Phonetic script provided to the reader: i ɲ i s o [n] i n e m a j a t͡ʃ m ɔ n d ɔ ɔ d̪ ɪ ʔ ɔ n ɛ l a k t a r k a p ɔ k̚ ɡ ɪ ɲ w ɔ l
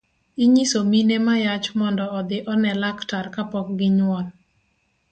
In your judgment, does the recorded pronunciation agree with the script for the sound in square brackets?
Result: no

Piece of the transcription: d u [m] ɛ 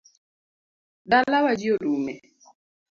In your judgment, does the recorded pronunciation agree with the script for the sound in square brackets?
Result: yes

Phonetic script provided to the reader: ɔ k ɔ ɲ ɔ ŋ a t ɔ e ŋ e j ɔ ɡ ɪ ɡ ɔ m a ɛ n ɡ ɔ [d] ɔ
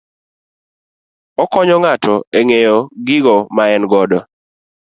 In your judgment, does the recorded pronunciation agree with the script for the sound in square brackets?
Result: yes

